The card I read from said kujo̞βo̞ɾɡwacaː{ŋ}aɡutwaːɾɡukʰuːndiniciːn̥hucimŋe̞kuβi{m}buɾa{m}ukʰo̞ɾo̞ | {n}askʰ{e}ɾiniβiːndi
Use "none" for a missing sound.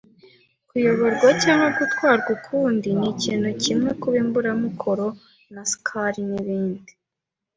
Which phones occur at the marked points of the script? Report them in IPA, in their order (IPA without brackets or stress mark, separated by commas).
ŋ, m, m, n, a